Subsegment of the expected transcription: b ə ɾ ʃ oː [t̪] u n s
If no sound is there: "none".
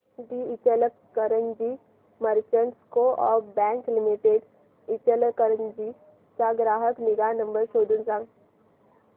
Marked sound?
d̪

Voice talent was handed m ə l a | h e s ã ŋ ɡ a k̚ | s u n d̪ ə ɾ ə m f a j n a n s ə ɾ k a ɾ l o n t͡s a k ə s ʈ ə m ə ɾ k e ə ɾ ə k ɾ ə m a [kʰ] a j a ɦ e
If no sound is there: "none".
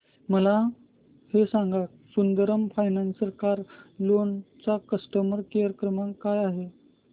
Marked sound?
k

